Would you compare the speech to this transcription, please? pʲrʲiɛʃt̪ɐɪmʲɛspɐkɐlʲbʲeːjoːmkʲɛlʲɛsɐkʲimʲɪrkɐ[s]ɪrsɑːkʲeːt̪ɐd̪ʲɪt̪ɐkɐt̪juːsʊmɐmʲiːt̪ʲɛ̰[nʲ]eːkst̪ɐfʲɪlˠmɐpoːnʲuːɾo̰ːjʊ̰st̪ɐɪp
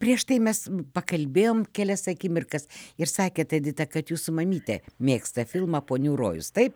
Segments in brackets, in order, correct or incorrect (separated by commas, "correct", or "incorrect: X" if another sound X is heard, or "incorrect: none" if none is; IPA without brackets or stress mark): correct, incorrect: mʲ